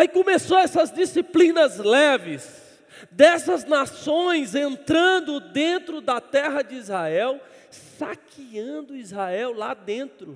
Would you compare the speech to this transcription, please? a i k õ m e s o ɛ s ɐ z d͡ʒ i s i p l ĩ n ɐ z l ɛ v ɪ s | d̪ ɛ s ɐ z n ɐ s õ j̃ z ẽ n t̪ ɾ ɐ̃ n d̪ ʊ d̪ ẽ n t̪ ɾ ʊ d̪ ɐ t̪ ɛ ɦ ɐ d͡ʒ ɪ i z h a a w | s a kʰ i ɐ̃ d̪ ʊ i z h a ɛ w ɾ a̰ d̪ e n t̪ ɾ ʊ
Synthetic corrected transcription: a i k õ m e s o ɛ s ɐ z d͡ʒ i s i p l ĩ n ɐ z l ɛ v ɪ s | d̪ ɛ s ɐ z n a s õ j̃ z ẽ n t̪ ɾ ɐ̃ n d̪ ʊ d̪ ẽ n t̪ ɾ ʊ d̪ ɐ t̪ ɛ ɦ ɐ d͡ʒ ɪ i z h a ɛ w | s a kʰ i ɐ̃ d̪ ʊ i z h a ɛ w l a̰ d̪ ẽ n t̪ ɾ ʊ